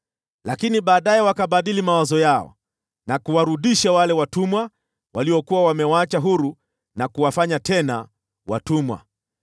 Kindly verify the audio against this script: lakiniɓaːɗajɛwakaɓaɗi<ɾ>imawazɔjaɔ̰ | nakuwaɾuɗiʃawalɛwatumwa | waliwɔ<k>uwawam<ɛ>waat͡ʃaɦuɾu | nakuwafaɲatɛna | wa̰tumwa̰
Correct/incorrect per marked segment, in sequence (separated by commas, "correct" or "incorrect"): incorrect, correct, correct